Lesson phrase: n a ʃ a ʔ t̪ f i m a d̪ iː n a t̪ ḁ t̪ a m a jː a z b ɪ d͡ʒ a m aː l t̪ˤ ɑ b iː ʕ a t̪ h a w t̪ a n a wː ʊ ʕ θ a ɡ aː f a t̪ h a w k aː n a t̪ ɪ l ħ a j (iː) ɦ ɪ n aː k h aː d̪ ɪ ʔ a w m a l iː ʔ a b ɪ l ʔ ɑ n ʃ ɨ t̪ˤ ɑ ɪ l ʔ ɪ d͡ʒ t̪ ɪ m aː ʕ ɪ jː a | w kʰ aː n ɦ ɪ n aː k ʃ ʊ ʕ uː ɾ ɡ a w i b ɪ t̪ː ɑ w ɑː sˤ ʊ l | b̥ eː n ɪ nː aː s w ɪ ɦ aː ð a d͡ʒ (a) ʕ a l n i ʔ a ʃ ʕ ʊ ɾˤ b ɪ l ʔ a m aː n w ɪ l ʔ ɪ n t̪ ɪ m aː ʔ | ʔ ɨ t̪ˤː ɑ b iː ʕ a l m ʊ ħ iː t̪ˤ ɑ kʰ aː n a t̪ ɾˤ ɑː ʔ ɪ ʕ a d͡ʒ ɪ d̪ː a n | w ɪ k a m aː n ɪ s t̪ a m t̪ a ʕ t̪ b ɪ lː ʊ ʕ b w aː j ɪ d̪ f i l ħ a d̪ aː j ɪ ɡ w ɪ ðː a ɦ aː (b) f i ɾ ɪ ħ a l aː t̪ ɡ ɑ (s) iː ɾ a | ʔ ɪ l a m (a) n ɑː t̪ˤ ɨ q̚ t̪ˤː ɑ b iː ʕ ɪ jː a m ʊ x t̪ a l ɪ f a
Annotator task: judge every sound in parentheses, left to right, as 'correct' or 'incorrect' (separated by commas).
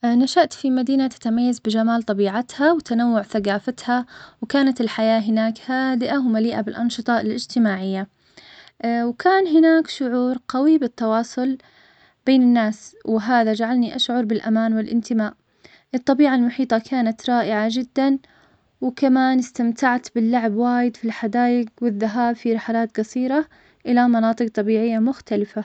incorrect, correct, correct, correct, incorrect